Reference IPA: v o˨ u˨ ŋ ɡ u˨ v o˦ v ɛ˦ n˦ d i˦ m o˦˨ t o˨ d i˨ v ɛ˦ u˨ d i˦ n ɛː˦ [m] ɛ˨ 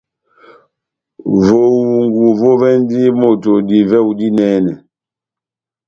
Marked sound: incorrect: n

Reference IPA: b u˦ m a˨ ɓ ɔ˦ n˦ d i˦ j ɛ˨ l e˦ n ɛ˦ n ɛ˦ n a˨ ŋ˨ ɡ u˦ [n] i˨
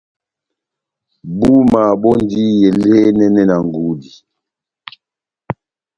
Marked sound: incorrect: d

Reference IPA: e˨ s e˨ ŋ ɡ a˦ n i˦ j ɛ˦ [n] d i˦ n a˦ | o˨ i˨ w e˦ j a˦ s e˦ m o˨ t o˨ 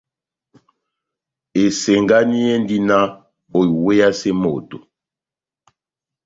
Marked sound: correct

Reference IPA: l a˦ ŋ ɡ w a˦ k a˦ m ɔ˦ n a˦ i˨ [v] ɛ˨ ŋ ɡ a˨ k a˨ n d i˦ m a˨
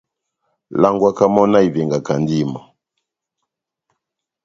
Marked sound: correct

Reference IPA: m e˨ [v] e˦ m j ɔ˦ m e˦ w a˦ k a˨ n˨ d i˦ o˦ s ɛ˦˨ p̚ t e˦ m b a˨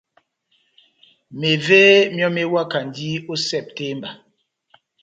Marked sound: correct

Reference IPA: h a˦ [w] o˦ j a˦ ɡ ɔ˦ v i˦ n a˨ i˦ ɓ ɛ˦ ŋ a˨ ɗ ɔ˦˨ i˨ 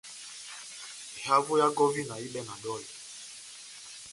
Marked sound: incorrect: v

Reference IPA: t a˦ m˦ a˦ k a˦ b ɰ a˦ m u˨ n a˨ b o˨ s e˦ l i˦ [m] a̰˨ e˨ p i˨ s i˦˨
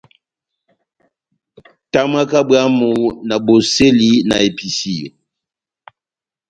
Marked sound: incorrect: n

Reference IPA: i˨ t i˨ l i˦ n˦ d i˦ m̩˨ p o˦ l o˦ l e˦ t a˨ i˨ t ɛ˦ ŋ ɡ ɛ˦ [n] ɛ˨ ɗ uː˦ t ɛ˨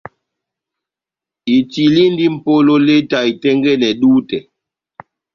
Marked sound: correct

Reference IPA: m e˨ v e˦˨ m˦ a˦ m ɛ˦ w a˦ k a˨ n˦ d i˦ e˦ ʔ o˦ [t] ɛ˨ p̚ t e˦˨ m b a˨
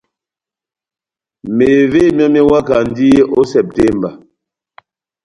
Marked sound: incorrect: s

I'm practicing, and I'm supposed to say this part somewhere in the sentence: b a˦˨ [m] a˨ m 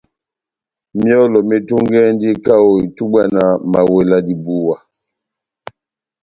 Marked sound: incorrect: n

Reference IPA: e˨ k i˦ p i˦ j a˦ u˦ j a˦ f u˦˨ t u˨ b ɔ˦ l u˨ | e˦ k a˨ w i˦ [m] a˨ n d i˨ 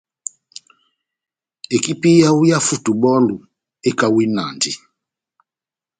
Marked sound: incorrect: n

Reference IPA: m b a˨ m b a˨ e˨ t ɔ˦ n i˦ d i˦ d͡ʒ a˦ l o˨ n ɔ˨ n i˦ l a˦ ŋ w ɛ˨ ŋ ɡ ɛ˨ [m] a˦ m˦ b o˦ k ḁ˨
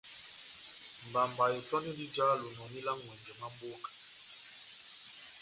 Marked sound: correct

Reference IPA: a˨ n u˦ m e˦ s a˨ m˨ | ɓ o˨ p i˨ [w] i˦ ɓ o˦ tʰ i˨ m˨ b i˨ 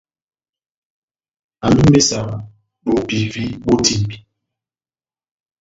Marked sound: incorrect: v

